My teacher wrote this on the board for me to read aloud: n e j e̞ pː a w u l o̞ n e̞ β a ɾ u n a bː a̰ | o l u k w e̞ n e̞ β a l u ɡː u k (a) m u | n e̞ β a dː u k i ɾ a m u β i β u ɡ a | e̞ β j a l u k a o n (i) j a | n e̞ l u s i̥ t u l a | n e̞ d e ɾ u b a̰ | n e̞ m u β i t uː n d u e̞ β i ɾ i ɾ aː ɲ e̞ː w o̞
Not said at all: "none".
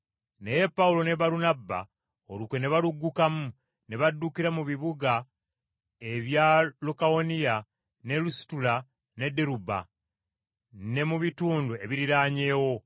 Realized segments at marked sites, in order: a, i

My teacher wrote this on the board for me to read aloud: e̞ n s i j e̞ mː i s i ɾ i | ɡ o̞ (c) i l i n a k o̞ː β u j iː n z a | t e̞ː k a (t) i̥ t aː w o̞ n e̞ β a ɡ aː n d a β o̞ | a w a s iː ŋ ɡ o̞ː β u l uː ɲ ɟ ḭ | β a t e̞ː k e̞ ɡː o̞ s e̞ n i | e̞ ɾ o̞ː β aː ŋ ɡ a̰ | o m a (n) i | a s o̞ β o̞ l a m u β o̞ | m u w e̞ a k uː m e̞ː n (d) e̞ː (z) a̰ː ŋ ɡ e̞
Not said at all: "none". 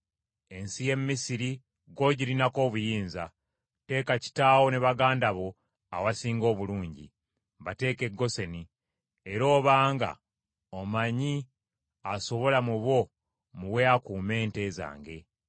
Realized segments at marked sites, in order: ɟ, c, ɲ, t, z

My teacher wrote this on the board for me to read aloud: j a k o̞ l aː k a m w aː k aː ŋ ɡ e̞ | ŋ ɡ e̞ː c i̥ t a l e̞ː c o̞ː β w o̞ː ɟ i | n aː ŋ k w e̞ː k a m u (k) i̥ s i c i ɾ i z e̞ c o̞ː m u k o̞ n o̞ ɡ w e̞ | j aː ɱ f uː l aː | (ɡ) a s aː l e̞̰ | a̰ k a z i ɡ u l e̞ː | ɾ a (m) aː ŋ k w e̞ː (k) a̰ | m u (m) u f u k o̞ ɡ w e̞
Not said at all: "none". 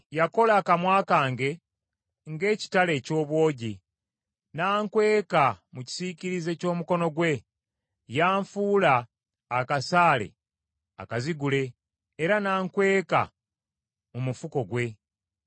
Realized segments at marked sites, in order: c, k, n, k, m

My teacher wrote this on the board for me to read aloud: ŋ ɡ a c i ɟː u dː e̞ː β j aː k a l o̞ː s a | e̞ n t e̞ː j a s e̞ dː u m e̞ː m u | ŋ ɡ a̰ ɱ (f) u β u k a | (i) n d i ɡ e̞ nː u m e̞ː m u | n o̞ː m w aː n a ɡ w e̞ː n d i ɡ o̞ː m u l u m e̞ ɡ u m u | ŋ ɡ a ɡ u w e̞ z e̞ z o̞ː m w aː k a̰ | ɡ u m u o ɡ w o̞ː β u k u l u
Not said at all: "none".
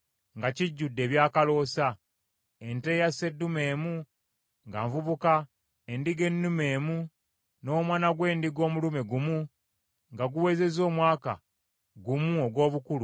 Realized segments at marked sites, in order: v, e

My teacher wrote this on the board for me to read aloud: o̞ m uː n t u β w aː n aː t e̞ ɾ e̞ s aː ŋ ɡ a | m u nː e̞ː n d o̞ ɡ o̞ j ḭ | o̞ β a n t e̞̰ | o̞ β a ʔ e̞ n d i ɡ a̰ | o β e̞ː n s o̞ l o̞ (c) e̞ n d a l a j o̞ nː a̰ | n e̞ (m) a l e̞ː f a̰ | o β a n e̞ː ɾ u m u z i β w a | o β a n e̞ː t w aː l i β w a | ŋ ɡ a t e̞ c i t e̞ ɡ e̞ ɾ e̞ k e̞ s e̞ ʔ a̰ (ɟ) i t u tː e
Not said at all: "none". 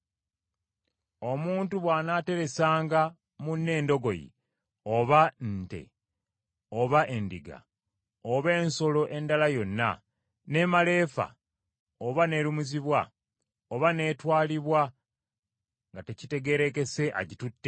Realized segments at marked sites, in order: ʔ, m, ɟ

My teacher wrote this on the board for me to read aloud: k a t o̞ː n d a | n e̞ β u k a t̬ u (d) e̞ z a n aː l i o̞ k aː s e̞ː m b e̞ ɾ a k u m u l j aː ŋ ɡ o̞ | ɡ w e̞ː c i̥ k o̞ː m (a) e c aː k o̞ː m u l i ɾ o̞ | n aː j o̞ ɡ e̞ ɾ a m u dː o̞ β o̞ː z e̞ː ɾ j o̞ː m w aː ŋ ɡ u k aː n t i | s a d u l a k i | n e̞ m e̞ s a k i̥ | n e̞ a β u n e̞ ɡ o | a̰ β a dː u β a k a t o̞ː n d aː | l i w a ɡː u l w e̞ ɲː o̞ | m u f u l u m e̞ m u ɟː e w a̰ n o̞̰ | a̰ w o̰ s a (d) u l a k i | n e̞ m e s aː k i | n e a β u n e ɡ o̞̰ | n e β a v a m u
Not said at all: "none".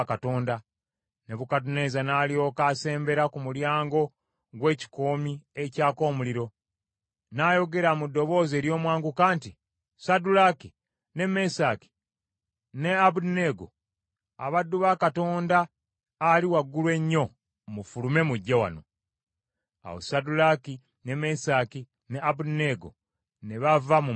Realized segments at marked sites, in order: n, i, d

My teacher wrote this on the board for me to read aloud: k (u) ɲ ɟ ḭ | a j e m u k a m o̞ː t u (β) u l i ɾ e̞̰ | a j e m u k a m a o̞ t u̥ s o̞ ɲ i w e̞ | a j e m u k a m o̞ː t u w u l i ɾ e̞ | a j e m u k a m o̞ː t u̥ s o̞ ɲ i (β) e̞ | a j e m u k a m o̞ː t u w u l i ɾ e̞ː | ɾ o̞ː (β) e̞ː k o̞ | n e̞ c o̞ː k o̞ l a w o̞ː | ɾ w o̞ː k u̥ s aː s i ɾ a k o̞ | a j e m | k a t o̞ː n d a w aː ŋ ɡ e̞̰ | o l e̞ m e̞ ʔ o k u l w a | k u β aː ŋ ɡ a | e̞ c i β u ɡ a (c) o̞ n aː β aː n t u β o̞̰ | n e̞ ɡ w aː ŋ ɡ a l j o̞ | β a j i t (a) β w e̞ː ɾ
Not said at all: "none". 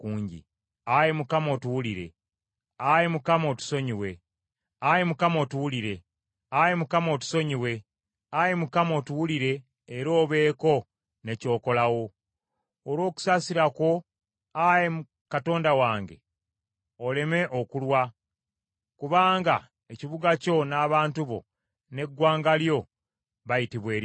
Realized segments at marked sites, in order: uː, w, w, β, c, i

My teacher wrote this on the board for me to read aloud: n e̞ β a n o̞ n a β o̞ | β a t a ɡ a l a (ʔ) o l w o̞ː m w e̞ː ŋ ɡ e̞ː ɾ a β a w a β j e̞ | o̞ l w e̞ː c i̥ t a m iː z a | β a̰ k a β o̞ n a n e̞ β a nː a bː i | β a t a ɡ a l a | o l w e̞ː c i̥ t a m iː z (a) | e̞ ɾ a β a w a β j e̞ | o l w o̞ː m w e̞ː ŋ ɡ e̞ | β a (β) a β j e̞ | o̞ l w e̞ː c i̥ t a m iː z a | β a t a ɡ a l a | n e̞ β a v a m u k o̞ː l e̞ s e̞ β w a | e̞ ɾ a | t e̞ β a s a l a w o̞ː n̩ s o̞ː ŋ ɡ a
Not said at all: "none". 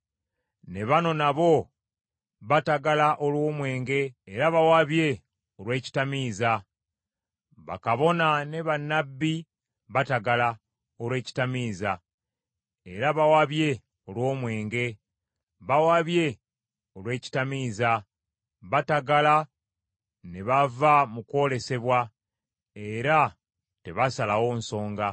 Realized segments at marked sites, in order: ʔ, a, w

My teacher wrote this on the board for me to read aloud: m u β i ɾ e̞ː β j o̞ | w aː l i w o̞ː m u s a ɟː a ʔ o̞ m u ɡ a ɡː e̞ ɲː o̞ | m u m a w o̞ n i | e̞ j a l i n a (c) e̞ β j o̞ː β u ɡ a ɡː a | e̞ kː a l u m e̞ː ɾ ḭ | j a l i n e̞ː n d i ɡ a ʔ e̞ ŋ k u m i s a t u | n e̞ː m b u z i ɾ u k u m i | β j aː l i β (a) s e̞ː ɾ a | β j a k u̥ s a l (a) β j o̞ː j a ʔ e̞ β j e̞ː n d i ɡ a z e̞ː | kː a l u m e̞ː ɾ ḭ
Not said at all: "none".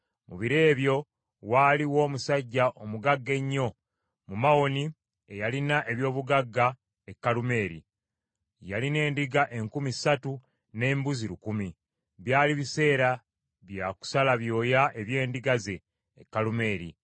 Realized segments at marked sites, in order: ʔ, i, a

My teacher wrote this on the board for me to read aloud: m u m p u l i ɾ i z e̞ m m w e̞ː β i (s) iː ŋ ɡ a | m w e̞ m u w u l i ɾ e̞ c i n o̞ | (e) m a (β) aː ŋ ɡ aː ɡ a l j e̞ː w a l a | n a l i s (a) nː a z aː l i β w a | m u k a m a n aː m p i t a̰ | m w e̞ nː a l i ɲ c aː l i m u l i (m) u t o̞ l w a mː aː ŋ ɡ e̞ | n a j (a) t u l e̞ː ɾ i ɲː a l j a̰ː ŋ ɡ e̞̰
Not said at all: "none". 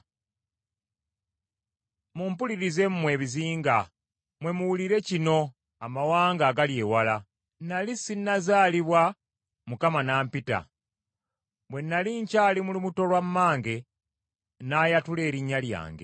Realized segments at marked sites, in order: z, a, w, i, m, a

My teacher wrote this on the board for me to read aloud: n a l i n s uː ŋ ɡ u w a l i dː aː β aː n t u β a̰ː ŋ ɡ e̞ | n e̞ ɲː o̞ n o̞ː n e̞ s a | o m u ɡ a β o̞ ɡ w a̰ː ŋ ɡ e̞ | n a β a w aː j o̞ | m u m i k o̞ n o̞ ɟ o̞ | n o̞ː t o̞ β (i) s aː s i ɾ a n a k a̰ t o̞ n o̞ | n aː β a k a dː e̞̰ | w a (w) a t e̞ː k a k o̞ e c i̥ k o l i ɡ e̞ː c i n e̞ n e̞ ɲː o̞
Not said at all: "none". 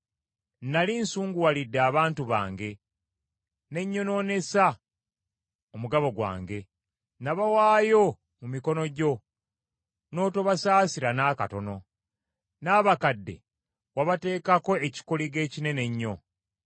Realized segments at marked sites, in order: a, β

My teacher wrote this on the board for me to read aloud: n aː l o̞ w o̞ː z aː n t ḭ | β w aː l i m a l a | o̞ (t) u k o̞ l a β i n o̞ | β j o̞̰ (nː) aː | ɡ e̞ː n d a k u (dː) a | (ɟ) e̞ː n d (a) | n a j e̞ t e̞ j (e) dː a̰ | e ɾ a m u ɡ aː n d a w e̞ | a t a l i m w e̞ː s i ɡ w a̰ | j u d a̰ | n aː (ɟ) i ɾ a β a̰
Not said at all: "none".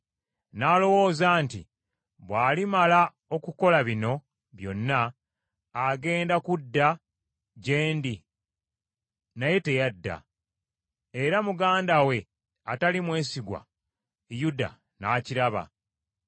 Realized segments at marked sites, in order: k, nː, dː, ɟ, i, a, c

